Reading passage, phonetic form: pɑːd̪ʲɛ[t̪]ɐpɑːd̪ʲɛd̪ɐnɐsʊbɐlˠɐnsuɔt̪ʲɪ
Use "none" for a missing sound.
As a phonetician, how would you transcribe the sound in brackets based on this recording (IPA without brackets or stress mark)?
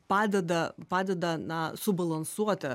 d̪